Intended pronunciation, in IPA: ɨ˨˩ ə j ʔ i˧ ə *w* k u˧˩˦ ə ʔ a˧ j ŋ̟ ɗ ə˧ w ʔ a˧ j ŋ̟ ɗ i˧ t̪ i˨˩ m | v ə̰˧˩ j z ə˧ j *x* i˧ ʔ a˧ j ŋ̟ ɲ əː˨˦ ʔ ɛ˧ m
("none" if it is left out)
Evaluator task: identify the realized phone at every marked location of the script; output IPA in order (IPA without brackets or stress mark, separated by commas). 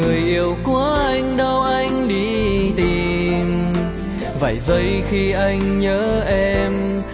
w, x